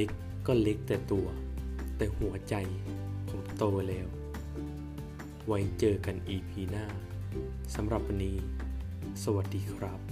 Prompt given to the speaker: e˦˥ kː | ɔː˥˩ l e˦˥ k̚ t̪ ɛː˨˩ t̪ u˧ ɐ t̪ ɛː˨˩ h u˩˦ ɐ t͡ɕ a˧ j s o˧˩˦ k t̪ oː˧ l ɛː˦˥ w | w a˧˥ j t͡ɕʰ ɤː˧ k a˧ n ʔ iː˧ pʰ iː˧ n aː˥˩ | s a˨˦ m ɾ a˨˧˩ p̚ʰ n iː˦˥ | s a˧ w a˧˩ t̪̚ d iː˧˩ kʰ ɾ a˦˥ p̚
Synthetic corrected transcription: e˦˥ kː | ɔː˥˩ l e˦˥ k̚ t̪ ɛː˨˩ t̪ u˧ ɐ t̪ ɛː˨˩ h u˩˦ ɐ t͡ɕ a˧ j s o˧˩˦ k t̪ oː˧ l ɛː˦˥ w | w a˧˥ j t͡ɕ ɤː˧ k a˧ n ʔ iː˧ pʰ iː˧ n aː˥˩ | s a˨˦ m ɾ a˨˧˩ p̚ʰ n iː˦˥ | s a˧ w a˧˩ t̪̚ d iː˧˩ kʰ ɾ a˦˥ p̚